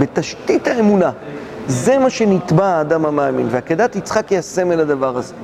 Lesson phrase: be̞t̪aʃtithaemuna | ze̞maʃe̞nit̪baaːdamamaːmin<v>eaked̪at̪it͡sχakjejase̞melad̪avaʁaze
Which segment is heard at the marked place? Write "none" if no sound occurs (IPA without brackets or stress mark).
v